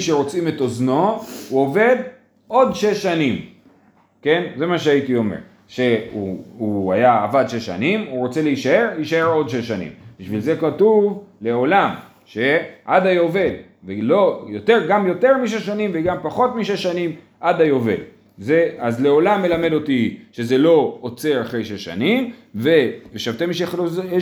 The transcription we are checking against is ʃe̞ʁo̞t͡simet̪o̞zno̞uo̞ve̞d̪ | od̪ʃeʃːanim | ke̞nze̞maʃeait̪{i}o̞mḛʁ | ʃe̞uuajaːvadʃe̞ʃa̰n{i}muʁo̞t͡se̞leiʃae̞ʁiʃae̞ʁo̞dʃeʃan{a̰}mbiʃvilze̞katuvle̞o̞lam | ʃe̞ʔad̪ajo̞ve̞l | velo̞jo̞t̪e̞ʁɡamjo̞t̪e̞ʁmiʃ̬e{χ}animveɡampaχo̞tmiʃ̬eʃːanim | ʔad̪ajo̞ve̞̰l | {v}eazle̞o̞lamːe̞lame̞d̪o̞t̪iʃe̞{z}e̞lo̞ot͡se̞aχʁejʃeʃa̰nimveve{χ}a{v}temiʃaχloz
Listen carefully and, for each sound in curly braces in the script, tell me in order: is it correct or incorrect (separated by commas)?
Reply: correct, correct, incorrect, incorrect, incorrect, correct, incorrect, correct